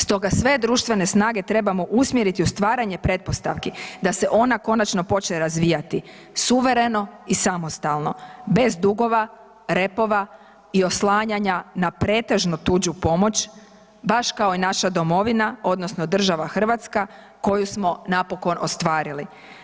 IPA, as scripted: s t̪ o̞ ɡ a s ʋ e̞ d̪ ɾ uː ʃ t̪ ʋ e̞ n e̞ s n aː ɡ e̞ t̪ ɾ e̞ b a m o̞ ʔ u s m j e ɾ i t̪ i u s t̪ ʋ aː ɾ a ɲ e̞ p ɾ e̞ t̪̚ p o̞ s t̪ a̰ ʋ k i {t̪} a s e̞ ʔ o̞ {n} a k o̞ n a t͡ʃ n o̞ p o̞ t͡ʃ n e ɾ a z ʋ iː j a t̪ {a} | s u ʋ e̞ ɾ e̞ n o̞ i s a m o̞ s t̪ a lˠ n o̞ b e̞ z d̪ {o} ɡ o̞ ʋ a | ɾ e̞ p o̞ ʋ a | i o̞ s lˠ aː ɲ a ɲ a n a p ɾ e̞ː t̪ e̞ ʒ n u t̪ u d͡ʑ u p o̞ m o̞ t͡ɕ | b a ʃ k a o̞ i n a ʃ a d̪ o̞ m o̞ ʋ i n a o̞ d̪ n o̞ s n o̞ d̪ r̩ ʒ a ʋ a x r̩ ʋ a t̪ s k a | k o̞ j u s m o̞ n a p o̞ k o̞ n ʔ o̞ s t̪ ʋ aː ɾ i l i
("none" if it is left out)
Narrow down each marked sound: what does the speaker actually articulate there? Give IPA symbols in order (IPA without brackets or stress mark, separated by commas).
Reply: d̪, n, i, u